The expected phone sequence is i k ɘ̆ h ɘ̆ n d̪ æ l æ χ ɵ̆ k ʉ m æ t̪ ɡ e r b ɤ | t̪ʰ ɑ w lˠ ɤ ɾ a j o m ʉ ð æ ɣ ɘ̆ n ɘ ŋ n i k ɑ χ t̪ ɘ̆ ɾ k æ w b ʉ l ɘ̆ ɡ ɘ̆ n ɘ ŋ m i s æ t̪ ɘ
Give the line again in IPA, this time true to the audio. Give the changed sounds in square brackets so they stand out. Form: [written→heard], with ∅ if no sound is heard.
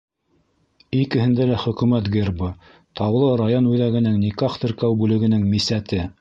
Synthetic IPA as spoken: i k ɘ̆ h ɘ̆ n d̪ æ l æ χ ɵ̆ k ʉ m æ t̪ ɡ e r b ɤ | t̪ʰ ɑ w lˠ ɤ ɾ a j o [m→n] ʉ ð æ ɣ ɘ̆ n ɘ ŋ n i k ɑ χ t̪ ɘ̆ ɾ k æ w b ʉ l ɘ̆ ɡ ɘ̆ n ɘ ŋ m i s æ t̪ ɘ